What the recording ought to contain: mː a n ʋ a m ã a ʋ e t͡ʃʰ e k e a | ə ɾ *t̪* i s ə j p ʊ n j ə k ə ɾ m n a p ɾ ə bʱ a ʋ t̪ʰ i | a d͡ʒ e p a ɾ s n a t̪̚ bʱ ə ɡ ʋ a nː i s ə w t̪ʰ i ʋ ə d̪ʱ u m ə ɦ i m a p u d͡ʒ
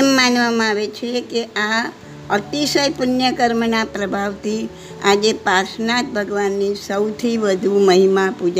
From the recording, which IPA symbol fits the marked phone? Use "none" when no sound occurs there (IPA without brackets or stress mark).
t̪